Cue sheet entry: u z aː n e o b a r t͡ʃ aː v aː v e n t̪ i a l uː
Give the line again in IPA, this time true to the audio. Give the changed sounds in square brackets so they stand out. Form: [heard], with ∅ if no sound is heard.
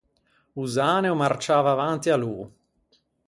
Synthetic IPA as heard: u z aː n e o [m] a r t͡ʃ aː v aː v [a] n t̪ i a l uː